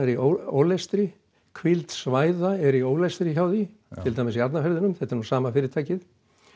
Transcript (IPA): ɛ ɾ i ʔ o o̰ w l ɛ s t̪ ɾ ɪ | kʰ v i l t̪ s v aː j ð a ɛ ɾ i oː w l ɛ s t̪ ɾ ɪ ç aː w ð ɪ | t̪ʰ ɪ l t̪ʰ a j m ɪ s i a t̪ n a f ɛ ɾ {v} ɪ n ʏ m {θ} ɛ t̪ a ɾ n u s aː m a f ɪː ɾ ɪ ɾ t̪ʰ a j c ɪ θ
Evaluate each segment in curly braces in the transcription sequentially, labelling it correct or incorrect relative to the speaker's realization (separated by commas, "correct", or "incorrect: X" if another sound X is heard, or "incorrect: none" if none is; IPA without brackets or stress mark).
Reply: incorrect: ð, correct